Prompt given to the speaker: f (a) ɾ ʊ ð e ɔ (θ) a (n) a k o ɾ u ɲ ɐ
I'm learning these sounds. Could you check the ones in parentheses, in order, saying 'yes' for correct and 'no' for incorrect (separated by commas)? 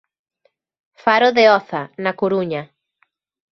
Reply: yes, yes, yes